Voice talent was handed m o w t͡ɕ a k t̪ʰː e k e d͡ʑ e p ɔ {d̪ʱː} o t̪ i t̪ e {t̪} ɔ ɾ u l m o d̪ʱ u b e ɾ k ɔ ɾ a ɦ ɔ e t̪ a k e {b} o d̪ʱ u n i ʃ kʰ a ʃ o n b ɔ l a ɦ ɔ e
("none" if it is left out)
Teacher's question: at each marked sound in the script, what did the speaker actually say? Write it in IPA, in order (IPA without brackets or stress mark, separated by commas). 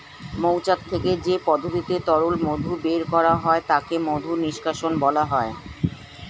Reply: d̪ʱ, t̪, m